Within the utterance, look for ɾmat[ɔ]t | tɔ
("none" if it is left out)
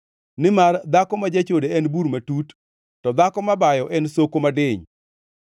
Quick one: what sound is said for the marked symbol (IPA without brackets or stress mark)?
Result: u